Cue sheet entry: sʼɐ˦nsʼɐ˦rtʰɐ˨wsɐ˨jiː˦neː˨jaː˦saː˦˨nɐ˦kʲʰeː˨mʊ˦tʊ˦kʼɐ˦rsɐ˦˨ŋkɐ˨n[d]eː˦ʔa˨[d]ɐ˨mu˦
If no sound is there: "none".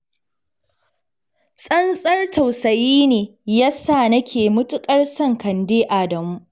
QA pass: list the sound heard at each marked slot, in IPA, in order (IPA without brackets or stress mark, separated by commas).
d, d